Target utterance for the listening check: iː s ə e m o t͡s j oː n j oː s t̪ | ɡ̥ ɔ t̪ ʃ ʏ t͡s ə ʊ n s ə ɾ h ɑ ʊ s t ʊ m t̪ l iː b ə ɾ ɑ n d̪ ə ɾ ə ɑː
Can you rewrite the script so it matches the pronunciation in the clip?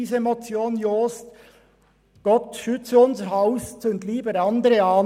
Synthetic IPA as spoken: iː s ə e m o t͡s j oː n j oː s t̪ | ɡ̥ ɔ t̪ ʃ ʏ t͡s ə ʊ n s ə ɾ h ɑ ʊ s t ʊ n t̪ l iː b ə ɾ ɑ n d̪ ə ɾ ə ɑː